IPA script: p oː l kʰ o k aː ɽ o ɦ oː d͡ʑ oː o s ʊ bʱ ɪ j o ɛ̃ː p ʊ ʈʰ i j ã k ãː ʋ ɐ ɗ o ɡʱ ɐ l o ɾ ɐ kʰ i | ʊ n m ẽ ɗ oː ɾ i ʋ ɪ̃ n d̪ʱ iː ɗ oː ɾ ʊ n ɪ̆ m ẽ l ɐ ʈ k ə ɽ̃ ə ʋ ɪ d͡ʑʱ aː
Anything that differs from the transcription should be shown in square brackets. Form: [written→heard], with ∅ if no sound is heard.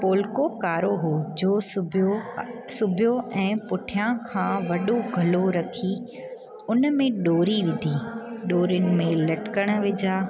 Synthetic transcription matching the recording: p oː l [kʰ→k] o k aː [ɽ→ɾ] o ɦ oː d͡ʑ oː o s ʊ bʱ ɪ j o ɛ̃ː p ʊ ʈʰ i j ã [k→kʰ] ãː ʋ ɐ ɗ o ɡʱ ɐ l o ɾ ɐ kʰ i | ʊ n m ẽ ɗ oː ɾ i ʋ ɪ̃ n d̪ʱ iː ɗ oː ɾ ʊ n ɪ̆ m ẽ l ɐ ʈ k ə ɽ̃ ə ʋ ɪ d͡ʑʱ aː